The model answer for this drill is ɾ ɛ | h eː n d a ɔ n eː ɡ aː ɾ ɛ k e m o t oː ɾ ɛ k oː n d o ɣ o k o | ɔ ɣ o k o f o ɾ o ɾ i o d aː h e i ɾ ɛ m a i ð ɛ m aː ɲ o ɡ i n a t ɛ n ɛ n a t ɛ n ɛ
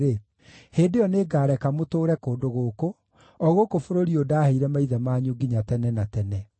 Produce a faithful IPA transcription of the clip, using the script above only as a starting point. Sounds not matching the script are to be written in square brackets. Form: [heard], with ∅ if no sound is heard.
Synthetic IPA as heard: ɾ [e] | h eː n d [e] ɔ n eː ɡ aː ɾ ɛ k [a] m o t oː ɾ ɛ k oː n d o ɣ o k o | ɔ ɣ o k o f o ɾ o ɾ i o d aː h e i ɾ ɛ m a i ð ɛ m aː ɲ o ɡ i [ɲ] a t ɛ n ɛ n a t ɛ n ɛ